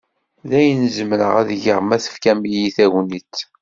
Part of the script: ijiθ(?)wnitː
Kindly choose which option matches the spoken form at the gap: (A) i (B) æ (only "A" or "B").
B